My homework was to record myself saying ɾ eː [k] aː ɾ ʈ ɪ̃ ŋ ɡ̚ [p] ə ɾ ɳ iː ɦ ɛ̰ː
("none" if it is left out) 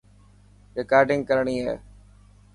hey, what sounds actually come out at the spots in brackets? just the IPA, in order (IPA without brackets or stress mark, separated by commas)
k, k